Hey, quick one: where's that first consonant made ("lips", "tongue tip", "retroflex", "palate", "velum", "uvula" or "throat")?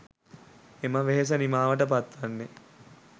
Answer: lips